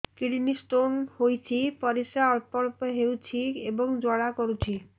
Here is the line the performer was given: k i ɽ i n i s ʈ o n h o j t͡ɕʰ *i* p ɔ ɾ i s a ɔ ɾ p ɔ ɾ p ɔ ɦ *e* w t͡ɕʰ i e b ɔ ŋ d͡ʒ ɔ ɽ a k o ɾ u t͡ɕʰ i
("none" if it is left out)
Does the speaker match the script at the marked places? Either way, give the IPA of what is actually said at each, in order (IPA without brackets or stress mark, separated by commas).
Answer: i, e